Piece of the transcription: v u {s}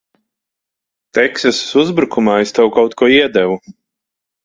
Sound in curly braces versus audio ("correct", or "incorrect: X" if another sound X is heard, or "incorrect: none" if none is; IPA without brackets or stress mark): incorrect: none